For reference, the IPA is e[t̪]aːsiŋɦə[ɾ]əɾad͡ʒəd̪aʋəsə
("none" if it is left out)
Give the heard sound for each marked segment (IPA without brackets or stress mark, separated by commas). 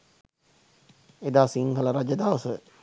d̪, l